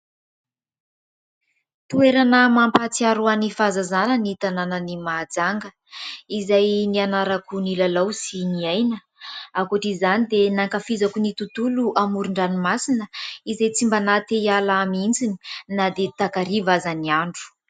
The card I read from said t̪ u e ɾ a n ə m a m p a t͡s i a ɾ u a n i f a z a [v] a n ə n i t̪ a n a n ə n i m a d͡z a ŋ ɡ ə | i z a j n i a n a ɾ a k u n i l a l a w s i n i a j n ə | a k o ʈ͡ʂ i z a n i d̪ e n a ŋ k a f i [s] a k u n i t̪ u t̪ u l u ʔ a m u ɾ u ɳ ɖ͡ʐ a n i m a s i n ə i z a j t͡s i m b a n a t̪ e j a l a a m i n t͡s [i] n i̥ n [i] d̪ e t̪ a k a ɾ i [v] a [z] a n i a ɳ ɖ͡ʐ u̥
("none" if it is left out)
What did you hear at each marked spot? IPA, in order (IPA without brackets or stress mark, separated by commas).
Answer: z, z, i, a, v, z